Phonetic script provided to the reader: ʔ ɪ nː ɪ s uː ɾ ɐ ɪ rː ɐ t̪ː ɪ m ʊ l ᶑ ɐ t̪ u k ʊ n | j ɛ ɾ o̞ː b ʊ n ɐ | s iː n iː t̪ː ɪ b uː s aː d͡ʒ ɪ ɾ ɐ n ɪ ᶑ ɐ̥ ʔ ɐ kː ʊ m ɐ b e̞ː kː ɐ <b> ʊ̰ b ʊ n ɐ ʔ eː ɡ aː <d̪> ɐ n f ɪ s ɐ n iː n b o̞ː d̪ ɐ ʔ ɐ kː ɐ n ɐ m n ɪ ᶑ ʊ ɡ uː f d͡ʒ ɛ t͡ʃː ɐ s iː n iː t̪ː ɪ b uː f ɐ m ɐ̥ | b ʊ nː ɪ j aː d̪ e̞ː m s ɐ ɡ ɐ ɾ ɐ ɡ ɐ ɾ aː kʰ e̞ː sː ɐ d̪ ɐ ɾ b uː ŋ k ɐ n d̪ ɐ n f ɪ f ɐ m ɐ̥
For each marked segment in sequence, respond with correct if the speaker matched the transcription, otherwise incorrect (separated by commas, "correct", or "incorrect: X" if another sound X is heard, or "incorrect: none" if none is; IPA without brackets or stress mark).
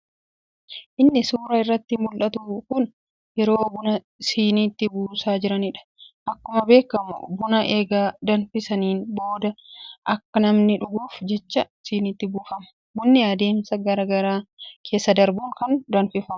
incorrect: m, correct